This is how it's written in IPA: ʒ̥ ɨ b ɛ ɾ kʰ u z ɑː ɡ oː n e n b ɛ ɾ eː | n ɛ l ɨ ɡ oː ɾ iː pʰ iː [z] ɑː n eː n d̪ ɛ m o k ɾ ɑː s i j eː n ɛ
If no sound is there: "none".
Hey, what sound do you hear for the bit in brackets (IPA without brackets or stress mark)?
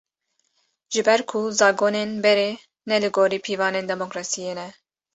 v